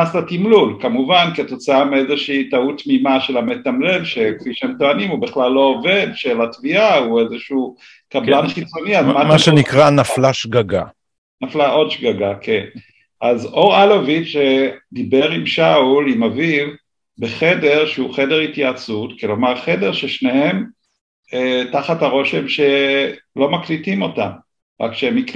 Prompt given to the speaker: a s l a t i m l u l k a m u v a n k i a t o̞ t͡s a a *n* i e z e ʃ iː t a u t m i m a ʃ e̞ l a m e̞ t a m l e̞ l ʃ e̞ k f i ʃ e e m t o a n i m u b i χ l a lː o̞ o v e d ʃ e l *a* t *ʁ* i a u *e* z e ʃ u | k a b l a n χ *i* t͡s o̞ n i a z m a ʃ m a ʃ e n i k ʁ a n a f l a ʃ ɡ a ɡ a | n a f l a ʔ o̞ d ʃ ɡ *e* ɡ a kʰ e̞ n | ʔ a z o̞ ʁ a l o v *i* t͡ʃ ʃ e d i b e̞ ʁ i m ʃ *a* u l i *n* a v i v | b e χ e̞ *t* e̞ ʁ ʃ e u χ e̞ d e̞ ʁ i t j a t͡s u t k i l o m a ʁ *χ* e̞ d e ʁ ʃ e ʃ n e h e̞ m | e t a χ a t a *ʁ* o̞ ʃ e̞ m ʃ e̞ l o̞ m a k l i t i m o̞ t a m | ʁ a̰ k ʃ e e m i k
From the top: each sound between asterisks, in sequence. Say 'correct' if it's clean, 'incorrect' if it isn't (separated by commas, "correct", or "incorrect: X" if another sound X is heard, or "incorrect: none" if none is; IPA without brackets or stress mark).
incorrect: m, correct, incorrect: v, correct, correct, incorrect: a, correct, correct, incorrect: m, incorrect: d, correct, correct